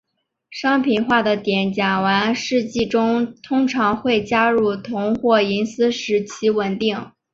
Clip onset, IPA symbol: ʂ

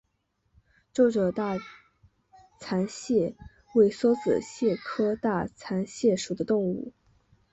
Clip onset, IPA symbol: ʈ͡ʂ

